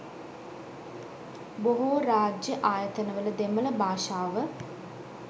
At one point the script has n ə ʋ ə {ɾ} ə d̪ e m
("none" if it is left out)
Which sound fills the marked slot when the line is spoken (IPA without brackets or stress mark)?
l